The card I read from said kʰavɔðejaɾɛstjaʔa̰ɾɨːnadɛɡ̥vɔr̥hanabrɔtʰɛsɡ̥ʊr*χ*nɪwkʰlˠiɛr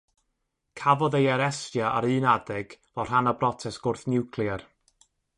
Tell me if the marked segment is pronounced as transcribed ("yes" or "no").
no